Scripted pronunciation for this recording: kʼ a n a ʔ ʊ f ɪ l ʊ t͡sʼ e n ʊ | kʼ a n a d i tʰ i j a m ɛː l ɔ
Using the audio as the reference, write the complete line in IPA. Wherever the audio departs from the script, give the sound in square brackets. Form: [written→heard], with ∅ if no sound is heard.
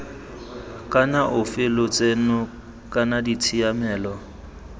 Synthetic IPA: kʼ a n a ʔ ʊ f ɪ l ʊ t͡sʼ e n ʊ | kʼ a n a d i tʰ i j a m ɛː l ɔ